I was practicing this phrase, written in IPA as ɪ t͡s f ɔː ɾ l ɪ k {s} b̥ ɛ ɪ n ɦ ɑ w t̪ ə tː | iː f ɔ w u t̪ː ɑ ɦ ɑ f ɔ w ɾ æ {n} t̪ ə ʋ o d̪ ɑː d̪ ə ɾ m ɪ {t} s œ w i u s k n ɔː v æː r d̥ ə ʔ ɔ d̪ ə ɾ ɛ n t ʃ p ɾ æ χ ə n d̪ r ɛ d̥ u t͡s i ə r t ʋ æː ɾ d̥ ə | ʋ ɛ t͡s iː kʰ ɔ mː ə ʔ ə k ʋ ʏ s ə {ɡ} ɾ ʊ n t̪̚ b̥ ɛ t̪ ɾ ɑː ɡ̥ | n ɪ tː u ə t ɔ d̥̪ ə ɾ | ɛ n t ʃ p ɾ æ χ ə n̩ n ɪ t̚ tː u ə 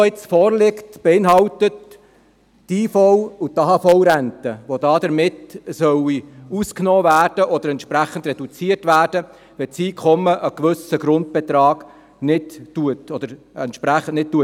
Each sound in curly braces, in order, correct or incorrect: incorrect: t, correct, correct, correct

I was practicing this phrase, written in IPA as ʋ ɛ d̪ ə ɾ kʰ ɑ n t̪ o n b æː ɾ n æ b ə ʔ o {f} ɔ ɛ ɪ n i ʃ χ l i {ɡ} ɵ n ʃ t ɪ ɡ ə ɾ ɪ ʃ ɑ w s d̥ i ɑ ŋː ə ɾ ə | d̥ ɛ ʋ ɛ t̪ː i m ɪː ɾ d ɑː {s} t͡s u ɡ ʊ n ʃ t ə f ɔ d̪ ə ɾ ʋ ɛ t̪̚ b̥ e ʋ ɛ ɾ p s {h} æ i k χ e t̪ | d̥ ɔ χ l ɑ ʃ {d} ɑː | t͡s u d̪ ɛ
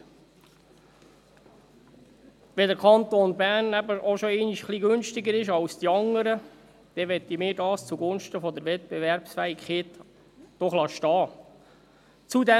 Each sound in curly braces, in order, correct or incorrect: incorrect: ʃ, correct, correct, incorrect: f, incorrect: t

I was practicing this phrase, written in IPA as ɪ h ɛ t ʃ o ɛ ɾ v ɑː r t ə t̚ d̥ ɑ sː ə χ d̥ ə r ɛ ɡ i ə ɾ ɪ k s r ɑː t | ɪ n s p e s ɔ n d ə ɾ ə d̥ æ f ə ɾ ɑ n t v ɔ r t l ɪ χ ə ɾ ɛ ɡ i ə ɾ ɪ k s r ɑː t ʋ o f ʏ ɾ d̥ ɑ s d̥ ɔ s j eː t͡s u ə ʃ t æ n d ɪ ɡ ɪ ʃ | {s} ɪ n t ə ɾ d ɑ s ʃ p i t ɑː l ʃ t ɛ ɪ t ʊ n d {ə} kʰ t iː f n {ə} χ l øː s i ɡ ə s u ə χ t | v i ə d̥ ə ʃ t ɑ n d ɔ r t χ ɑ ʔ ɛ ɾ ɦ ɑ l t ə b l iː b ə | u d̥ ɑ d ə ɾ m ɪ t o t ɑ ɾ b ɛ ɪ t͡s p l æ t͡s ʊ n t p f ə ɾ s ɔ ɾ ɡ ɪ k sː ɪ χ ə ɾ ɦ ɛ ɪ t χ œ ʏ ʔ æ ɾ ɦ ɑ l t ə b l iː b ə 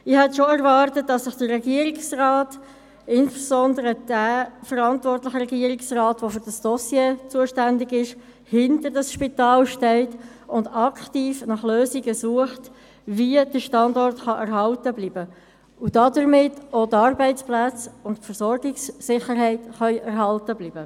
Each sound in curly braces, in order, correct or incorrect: incorrect: h, incorrect: ɑ, incorrect: ɑ

